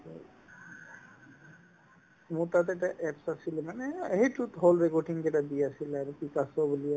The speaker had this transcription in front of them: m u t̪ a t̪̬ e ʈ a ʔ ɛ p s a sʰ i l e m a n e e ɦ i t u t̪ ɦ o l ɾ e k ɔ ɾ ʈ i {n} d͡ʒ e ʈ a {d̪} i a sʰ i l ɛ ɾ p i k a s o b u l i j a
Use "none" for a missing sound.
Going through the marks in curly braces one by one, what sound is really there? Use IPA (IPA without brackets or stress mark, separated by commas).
ŋ, d̪